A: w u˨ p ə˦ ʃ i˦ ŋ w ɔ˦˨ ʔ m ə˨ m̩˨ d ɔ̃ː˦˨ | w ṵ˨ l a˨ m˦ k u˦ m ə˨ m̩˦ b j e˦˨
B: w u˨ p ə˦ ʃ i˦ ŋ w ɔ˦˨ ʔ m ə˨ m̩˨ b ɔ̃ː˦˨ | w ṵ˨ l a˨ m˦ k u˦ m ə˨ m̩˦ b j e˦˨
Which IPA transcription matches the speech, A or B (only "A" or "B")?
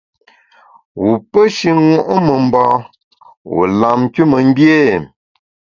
B